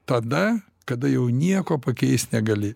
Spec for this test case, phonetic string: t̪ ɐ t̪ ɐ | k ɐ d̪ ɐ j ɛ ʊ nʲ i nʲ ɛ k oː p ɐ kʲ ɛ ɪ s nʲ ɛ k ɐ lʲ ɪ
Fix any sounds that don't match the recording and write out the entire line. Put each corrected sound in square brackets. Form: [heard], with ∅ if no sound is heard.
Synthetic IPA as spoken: t̪ ɐ [d̪] ɐ | k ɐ d̪ ɐ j ɛ ʊ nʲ i [∅] ɛ k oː p ɐ kʲ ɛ ɪ s nʲ ɛ [ɡ] ɐ lʲ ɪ